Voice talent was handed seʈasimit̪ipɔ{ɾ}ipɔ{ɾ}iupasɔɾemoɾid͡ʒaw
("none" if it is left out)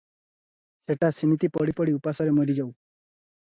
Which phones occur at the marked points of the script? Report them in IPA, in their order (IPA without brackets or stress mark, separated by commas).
ɽ, ɽ